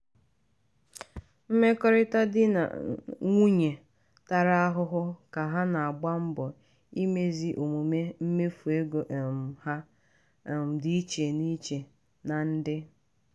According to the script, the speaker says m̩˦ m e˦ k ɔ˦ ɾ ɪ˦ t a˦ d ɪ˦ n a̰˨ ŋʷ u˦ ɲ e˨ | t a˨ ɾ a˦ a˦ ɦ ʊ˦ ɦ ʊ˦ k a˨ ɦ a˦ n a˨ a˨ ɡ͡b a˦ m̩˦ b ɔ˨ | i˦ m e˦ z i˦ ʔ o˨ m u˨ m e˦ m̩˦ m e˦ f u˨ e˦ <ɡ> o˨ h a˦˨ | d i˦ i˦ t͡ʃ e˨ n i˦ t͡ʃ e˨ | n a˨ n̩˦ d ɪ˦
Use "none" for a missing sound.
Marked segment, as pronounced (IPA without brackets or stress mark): ɡ